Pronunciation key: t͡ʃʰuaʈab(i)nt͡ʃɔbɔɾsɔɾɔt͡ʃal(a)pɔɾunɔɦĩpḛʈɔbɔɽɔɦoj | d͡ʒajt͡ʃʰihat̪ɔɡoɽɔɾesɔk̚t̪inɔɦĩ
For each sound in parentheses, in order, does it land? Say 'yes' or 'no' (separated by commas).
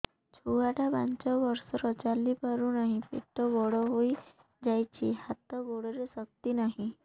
no, no